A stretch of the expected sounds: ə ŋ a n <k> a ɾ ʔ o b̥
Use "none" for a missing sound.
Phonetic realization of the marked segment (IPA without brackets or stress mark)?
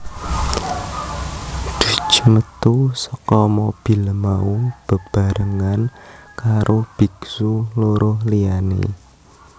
k